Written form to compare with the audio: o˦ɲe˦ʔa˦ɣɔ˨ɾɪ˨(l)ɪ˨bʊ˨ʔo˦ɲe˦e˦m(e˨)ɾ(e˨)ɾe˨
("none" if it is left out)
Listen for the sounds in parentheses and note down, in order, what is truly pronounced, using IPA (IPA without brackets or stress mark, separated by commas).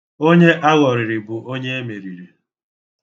ɾ, e˨, i˨